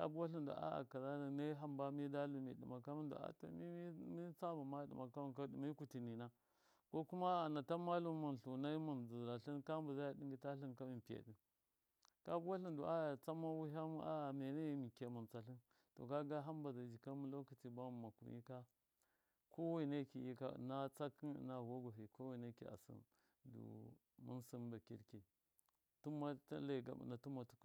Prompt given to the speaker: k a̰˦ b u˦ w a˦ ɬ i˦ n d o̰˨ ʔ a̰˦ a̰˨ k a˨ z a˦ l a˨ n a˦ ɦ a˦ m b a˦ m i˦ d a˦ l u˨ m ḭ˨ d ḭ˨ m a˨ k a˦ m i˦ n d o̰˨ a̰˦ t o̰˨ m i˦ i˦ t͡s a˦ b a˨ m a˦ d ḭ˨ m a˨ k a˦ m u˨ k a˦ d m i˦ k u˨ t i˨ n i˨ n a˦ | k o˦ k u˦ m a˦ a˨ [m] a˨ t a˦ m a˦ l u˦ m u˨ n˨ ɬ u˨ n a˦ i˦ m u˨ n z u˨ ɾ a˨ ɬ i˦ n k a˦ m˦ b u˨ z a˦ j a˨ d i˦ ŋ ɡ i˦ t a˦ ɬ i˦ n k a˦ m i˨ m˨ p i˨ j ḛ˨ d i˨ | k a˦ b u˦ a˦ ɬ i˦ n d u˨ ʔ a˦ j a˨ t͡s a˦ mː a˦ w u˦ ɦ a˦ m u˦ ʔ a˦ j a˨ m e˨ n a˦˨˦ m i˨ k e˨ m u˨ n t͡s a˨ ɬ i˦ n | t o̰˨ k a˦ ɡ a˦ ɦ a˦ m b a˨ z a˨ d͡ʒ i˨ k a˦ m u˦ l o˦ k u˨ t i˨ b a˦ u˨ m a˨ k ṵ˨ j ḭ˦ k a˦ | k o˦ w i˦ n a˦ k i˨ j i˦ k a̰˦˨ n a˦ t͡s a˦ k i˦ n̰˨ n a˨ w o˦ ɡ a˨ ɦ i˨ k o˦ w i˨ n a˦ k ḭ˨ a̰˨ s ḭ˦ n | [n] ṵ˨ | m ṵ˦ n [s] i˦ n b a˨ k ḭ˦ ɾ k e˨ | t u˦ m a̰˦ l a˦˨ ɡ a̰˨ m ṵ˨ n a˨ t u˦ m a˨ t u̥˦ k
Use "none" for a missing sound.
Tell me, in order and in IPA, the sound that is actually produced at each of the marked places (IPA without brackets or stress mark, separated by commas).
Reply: n, d, s